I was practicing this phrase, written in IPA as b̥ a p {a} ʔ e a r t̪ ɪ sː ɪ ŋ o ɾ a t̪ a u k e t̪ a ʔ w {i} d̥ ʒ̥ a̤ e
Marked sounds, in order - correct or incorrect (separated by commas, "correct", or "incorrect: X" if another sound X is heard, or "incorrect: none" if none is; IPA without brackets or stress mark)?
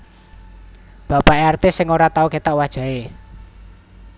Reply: correct, incorrect: a